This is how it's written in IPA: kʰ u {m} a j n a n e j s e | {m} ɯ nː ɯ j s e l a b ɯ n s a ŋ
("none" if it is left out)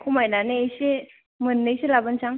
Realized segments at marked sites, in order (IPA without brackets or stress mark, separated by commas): m, m